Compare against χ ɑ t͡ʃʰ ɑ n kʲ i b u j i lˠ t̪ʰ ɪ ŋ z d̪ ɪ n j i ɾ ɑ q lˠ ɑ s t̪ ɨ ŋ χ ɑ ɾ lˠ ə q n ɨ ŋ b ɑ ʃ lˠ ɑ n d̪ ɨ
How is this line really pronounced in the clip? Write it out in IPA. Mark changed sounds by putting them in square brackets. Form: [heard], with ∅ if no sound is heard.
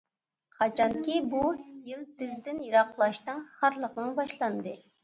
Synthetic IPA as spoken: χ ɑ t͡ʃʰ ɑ n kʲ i b u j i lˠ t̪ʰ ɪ [∅] z d̪ ɪ n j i ɾ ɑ q lˠ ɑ [ʃ] t̪ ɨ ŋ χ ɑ ɾ lˠ ə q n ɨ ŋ b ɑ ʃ lˠ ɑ n d̪ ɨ